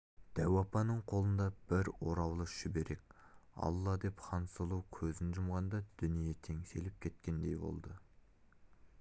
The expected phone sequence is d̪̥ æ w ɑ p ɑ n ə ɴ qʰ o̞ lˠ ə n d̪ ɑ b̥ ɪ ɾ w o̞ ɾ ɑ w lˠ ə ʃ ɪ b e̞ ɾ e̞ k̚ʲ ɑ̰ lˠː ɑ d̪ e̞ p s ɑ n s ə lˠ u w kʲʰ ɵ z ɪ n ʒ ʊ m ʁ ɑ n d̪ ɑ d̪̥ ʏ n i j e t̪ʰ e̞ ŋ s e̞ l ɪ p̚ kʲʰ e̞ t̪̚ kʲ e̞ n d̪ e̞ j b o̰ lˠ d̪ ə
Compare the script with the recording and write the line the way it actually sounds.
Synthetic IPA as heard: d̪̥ æ w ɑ p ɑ n ə ɴ qʰ o̞ lˠ ə n d̪ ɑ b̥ ɪ ɾ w o̞ ɾ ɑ w lˠ ə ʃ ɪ b e̞ ɾ e̞ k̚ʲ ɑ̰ lˠː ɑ d̪ e̞ p χ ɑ n s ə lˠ u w kʲʰ ɵ z ɪ n ʒ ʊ m ʁ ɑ n d̪ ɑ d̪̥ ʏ n i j e t̪ʰ e̞ ŋ s e̞ l ɪ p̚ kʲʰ e̞ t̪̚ kʲ e̞ n d̪ e̞ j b o̰ lˠ d̪ ə